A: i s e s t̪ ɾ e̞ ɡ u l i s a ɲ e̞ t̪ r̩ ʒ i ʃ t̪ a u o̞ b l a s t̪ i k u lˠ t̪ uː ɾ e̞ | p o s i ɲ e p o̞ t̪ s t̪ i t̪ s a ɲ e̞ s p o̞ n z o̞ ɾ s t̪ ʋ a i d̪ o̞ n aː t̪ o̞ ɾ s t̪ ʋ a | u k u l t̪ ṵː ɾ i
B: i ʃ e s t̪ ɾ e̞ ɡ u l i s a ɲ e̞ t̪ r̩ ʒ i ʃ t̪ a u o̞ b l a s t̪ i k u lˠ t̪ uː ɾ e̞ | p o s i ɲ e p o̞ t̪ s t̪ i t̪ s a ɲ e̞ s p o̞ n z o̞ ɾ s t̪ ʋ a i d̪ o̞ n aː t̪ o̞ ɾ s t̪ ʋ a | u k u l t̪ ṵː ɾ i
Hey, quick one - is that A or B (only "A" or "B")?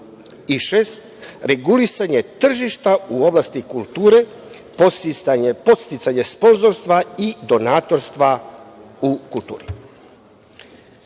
B